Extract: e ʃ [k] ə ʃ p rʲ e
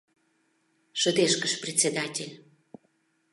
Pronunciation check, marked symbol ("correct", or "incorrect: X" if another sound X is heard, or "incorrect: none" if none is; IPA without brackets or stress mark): correct